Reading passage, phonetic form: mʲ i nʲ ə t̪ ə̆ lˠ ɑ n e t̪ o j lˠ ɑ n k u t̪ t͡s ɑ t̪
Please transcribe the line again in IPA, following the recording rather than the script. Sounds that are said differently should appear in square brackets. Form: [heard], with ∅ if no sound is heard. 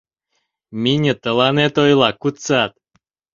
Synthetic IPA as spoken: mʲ i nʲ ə t̪ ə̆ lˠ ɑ n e t̪ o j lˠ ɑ [∅] k u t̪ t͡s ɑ t̪